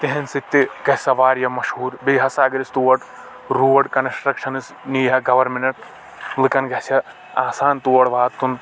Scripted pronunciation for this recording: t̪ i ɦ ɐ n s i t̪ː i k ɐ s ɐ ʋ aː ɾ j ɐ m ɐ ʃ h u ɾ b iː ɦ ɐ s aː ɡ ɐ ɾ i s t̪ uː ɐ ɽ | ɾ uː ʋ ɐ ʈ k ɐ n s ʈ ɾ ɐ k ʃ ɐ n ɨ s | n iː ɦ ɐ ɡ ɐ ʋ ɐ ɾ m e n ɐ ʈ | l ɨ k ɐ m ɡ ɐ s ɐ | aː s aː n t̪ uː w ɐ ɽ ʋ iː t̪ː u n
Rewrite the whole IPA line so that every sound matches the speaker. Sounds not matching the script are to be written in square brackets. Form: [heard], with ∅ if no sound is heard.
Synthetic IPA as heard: t̪ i ɦ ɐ n s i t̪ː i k ɐ s ɐ ʋ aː ɾ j ɐ m ɐ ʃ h [uː] ɾ b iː ɦ ɐ s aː ɡ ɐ ɾ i s t̪ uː ɐ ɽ | ɾ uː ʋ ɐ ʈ k ɐ n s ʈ ɾ ɐ k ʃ ɐ n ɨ s | n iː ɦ ɐ ɡ ɐ ʋ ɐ ɾ m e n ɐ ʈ | l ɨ k ɐ [n] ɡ ɐ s ɐ | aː s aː n t̪ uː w ɐ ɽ ʋ [aː] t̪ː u n